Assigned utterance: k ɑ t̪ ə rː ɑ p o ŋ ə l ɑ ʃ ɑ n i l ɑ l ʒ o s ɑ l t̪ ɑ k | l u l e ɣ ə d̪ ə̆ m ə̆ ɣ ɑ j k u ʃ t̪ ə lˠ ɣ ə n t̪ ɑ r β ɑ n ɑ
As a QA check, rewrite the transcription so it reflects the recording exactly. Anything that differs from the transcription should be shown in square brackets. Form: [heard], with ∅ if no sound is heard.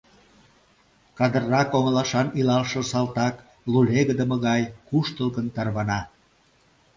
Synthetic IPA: k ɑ [d̪] ə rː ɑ [k] o ŋ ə l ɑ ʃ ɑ n i l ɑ l [ʃ] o s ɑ l t̪ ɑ k | l u l e ɣ ə d̪ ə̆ m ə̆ ɣ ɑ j k u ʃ t̪ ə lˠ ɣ ə n t̪ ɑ r β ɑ n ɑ